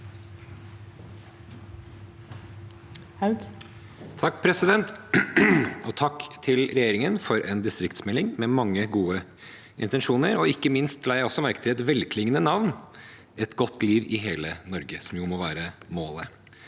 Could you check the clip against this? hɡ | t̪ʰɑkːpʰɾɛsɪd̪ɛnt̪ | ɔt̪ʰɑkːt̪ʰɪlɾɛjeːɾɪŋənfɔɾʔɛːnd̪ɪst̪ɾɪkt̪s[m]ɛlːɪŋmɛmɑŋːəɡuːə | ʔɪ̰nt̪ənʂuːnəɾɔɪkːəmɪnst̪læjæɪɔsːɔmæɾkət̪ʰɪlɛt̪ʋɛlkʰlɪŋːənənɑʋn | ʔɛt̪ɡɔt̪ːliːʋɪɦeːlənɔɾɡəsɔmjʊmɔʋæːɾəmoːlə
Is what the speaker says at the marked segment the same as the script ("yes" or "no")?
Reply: yes